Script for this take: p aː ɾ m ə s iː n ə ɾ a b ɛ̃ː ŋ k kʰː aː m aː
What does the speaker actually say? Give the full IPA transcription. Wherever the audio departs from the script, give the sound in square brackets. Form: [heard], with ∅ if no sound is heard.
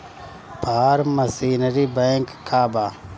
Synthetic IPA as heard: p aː ɾ m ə s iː n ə ɾ [i] b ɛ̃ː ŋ k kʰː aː [b] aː